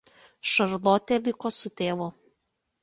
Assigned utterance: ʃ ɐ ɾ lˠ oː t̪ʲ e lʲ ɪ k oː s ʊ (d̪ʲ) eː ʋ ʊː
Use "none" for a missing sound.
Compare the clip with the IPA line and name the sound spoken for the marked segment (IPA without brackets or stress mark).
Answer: t̪ʲ